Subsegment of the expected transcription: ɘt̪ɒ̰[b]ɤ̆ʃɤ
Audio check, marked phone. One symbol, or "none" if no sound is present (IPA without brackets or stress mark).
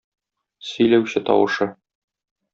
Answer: w